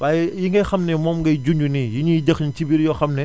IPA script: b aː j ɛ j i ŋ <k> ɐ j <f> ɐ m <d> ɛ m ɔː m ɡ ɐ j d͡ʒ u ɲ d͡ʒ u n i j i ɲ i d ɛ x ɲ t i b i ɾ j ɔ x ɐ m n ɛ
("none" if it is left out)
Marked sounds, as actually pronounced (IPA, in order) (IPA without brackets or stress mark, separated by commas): ɡ, x, n